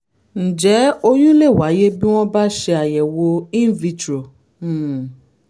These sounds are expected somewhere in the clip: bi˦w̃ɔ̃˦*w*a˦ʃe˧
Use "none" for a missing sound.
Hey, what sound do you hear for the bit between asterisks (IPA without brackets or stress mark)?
b